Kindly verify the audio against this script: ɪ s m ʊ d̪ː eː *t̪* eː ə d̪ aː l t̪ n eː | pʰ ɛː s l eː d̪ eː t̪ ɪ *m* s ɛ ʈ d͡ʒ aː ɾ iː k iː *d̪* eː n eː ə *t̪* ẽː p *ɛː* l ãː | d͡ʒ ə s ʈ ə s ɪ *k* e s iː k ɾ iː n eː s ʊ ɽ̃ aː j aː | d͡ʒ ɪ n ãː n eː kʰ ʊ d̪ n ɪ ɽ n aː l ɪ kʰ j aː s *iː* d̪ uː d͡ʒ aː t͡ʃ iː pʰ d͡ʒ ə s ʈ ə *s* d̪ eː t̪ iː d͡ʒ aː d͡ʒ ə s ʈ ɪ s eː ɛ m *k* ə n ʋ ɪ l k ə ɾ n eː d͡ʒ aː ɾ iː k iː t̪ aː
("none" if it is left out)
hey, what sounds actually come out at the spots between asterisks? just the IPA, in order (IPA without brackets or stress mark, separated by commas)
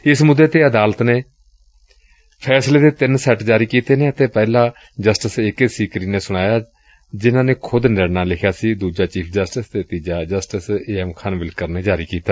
t̪, n, t̪, t̪, ɛː, k, iː, s, kʰ